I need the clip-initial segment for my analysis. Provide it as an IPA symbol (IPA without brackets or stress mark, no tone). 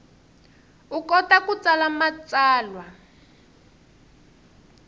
u